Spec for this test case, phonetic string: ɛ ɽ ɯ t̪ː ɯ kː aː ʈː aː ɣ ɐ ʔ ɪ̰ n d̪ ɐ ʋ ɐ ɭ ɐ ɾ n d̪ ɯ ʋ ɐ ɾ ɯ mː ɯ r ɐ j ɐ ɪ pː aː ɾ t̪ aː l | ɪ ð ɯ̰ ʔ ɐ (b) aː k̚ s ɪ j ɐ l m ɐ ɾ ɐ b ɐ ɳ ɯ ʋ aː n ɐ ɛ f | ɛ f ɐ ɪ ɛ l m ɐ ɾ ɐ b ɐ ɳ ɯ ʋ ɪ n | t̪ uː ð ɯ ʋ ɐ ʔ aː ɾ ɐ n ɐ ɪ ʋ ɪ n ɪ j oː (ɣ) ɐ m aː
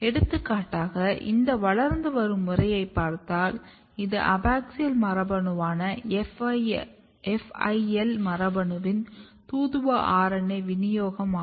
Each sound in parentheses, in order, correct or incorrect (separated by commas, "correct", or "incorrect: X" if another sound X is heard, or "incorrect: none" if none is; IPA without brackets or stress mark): correct, correct